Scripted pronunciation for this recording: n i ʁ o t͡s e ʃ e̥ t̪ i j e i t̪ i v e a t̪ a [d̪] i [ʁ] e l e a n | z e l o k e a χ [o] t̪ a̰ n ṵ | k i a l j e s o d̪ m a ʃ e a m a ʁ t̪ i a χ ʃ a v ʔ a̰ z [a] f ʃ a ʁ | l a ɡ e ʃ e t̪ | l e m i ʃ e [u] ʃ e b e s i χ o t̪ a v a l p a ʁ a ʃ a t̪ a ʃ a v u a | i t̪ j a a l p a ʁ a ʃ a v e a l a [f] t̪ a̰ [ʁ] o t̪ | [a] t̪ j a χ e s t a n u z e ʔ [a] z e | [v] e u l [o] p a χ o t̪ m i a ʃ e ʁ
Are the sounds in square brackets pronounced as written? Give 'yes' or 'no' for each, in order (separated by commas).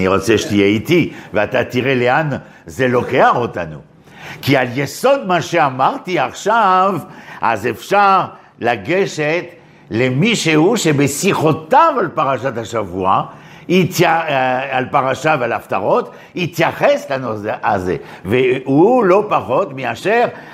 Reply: no, yes, yes, no, yes, yes, yes, no, yes, yes, yes